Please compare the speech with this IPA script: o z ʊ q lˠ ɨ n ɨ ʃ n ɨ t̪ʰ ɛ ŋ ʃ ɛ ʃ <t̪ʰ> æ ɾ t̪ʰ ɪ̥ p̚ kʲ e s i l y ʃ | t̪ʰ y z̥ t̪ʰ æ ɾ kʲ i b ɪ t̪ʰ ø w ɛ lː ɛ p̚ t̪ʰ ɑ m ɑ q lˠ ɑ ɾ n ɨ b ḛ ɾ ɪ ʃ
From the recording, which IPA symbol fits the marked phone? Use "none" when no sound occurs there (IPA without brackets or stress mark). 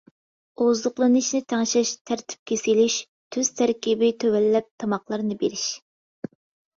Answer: t̪ʰ